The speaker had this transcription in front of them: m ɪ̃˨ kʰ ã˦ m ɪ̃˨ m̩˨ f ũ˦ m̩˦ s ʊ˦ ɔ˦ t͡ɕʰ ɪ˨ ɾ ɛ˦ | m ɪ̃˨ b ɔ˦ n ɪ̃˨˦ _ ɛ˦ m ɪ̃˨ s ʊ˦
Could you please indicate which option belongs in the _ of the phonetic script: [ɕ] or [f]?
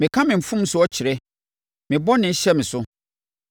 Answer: ɕ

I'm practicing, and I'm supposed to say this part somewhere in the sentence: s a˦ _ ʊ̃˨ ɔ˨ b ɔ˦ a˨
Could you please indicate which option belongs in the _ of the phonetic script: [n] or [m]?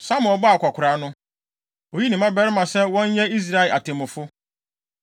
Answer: m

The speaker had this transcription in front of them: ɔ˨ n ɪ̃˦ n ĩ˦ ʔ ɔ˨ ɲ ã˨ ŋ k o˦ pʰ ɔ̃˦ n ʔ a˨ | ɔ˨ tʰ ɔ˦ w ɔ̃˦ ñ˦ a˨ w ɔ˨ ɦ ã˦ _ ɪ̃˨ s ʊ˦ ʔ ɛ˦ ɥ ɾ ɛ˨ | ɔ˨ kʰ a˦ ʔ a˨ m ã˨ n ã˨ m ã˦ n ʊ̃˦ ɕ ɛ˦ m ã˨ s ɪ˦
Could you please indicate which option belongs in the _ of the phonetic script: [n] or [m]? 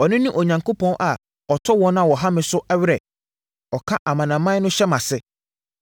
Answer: m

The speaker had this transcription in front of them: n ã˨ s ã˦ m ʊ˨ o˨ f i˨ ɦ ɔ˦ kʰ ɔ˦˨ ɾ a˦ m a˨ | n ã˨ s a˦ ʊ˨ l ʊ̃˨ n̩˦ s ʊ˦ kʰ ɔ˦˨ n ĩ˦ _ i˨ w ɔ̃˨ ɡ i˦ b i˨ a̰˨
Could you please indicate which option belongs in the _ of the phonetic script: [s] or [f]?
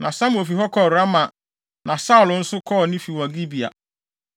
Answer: f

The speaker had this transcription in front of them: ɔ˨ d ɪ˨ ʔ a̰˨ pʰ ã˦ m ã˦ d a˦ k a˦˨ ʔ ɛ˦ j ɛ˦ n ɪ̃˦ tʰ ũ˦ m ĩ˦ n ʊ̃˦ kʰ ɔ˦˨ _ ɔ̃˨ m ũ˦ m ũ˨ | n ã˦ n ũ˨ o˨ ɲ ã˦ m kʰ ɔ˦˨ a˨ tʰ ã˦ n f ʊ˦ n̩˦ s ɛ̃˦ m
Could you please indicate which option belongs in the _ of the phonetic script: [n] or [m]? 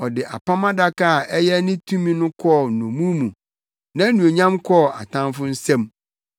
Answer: n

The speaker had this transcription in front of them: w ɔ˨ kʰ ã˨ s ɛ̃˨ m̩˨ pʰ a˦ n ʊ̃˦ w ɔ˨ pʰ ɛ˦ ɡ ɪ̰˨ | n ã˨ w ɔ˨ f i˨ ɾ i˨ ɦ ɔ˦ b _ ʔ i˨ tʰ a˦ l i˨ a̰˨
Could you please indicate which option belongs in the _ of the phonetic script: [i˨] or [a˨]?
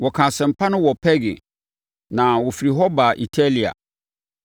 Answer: a˨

